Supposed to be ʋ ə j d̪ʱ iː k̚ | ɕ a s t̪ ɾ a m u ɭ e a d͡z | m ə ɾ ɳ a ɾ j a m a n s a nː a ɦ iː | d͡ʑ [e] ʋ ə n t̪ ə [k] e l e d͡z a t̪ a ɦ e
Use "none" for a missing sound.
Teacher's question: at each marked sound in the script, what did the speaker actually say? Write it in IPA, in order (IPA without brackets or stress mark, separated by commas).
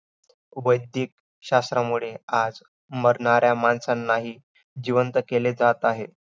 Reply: i, k